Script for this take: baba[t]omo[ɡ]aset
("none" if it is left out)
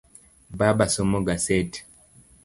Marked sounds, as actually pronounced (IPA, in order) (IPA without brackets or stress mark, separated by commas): s, ɡ